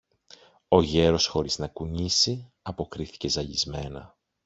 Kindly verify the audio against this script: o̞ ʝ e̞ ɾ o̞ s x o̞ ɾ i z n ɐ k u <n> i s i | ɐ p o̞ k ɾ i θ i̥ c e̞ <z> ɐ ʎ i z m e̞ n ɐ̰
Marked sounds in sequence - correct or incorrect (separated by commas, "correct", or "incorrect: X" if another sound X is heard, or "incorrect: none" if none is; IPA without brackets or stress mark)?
incorrect: ɲ, correct